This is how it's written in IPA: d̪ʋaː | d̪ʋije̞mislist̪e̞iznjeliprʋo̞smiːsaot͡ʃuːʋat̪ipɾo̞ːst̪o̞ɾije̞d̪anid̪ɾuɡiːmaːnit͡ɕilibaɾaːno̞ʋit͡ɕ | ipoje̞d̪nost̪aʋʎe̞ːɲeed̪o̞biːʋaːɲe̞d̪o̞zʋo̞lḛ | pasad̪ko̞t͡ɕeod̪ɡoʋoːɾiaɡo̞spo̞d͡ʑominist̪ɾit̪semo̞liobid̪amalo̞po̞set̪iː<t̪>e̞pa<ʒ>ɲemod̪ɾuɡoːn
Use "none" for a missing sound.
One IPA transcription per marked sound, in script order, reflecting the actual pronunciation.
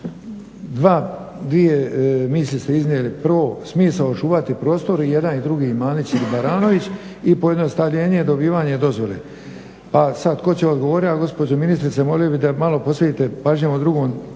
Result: t̪, ʒ

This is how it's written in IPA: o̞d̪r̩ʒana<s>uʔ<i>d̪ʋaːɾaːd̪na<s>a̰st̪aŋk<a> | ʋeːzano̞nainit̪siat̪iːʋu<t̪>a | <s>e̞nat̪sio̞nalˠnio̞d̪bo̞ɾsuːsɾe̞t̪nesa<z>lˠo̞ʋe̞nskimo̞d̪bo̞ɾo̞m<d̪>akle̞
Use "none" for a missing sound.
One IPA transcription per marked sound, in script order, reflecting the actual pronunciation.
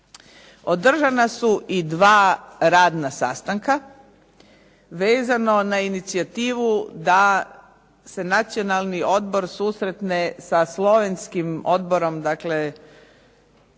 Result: s, i, s, a, d̪, s, s, d̪

